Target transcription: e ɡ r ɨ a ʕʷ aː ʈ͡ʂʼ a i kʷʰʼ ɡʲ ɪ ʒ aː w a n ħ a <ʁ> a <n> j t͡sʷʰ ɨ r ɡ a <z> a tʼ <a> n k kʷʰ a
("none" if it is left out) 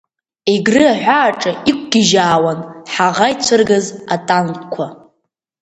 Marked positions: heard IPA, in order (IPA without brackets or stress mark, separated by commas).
ʁ, none, z, a